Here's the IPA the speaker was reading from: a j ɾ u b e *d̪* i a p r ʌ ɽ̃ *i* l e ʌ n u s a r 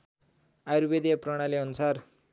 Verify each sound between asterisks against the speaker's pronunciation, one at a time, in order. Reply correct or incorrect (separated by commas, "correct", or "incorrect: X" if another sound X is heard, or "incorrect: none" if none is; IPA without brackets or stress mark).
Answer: correct, incorrect: a